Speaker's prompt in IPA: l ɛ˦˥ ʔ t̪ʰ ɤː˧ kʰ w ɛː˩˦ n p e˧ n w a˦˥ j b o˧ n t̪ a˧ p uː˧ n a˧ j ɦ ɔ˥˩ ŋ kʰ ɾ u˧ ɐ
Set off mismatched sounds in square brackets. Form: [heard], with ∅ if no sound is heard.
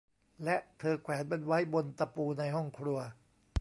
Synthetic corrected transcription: l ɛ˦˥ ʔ t̪ʰ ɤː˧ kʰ w ɛː˩˦ n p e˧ n w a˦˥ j b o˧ n t̪ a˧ p uː˧ n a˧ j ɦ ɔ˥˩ ŋ kʰ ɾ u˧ ɐ